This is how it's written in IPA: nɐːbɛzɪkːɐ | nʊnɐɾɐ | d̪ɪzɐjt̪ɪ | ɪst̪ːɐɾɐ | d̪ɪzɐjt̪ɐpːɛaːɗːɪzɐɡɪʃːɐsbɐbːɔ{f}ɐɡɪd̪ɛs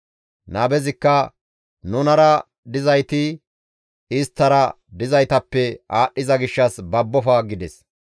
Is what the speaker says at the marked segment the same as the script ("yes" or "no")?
yes